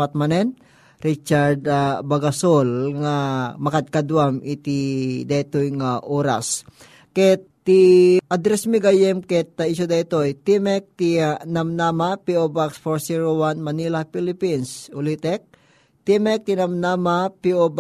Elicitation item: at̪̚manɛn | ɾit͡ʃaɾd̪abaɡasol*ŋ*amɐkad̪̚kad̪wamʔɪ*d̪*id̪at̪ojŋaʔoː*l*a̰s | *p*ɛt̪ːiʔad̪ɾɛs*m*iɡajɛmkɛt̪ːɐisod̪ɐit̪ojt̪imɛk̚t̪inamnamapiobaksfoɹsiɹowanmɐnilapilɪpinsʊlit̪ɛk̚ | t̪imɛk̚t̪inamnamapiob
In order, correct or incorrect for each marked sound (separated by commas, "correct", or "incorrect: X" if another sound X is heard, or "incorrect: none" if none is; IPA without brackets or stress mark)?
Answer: correct, incorrect: t̪, incorrect: ɾ, incorrect: k, correct